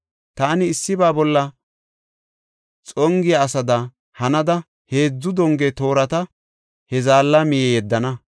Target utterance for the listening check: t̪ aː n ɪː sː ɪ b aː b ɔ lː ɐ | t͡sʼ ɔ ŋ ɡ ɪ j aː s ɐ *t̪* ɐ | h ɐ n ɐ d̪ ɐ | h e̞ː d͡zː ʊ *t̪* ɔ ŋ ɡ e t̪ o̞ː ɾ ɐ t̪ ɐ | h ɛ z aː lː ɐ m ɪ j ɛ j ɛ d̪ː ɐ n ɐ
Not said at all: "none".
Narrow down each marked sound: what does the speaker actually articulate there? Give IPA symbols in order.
d̪, d̪

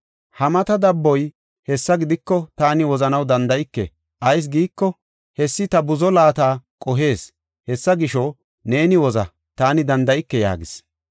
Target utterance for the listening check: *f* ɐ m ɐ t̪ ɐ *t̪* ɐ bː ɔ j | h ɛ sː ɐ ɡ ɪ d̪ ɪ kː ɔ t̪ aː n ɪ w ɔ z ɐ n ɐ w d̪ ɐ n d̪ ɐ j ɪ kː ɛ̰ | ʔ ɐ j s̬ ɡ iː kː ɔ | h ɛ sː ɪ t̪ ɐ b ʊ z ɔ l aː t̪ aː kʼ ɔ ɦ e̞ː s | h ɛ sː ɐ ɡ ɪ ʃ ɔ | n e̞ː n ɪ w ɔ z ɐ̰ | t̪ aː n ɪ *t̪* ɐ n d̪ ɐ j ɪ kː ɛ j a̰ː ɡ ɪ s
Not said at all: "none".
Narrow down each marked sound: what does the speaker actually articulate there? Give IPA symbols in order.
h, d̪, d̪

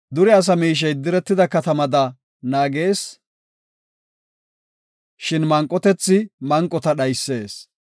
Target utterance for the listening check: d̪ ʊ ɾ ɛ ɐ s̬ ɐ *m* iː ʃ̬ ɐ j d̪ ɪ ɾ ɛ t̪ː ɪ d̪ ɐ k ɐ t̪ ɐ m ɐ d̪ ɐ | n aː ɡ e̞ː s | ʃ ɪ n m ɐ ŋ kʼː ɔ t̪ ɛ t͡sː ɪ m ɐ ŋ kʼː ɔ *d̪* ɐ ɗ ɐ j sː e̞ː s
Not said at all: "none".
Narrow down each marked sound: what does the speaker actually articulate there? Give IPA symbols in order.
m, t̪

